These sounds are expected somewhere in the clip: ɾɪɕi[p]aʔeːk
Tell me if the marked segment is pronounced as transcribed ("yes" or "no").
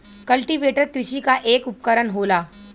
no